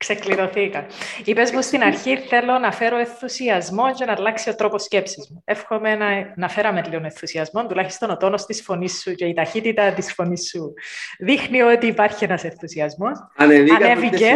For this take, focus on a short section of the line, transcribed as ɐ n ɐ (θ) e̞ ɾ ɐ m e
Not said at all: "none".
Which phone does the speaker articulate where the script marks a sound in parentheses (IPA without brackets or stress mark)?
f